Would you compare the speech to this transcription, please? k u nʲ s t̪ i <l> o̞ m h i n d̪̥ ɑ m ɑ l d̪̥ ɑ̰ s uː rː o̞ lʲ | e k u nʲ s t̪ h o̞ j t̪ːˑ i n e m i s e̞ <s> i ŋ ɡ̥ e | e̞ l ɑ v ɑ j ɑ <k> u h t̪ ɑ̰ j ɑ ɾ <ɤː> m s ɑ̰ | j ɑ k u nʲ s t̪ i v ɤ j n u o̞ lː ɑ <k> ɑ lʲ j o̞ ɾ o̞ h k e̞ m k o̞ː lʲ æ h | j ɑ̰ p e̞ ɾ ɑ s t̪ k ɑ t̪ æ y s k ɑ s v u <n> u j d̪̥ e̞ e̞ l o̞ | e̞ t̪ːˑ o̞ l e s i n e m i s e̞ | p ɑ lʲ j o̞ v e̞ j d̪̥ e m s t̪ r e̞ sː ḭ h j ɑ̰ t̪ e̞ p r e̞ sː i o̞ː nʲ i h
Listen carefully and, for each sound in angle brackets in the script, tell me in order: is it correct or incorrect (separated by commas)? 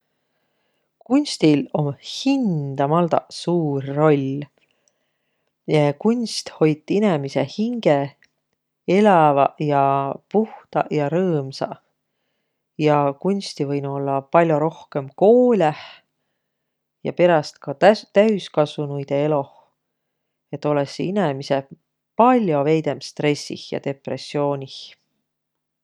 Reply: correct, incorrect, incorrect, correct, incorrect, correct